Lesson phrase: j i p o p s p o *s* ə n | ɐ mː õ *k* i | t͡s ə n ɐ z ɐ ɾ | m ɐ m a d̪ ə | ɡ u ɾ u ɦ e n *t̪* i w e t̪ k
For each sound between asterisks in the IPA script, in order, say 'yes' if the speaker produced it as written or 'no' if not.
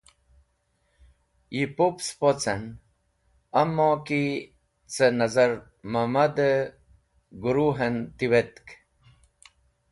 no, yes, yes

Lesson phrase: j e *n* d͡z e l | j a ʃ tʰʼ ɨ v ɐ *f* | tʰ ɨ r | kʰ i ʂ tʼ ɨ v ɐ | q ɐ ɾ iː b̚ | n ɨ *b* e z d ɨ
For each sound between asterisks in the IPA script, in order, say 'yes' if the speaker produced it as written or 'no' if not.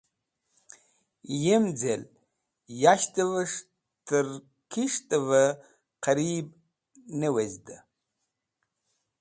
no, no, no

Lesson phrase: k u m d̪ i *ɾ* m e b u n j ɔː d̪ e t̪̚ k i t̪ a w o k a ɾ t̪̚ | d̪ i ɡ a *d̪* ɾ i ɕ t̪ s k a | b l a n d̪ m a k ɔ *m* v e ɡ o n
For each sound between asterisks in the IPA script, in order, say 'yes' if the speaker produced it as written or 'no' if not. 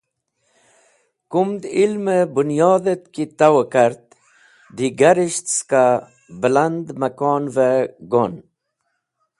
no, no, no

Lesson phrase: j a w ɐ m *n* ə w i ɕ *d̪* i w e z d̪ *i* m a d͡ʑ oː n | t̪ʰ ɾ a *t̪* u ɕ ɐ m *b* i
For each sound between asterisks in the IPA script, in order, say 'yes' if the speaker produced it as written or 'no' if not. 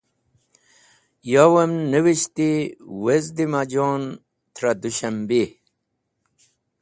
yes, no, yes, no, yes

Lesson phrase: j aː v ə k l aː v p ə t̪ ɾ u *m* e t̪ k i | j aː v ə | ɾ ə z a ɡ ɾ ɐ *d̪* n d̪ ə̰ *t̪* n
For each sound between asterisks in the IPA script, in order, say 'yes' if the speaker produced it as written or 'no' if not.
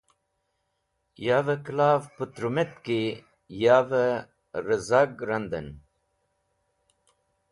yes, no, no

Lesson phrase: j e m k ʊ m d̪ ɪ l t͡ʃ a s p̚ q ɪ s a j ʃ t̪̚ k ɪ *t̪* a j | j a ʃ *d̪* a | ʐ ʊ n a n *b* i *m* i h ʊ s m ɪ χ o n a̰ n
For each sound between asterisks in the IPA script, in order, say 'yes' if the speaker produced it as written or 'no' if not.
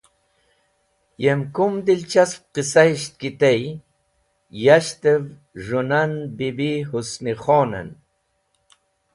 yes, no, yes, no

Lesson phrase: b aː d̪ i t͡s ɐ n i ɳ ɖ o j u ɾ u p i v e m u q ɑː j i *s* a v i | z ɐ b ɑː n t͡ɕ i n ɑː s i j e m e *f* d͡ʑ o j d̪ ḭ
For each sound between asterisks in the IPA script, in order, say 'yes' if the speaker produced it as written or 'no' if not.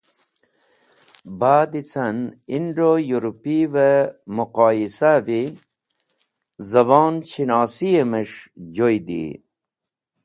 yes, no

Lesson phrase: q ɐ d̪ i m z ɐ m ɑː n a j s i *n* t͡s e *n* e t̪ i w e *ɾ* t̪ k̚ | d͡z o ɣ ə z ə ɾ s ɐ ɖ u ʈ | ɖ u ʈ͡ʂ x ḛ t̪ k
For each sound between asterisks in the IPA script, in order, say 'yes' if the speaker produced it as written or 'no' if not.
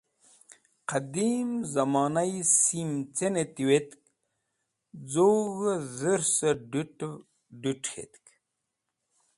no, yes, no

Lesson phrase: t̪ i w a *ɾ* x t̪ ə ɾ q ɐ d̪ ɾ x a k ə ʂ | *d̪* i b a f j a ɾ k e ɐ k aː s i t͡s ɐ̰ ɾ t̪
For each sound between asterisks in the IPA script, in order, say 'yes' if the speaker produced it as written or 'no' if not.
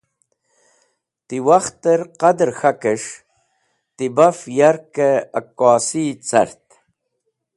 no, no

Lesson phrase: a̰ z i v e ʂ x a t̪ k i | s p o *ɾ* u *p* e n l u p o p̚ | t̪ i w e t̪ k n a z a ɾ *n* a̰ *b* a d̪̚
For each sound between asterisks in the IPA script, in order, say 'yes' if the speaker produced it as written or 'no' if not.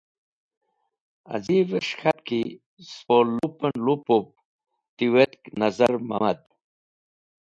no, yes, no, no

